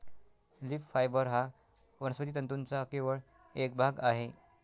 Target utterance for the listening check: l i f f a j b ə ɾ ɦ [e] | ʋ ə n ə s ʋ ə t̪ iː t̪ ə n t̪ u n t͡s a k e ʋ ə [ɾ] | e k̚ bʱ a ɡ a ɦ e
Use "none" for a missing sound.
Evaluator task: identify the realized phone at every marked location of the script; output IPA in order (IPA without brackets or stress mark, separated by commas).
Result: a, ɭ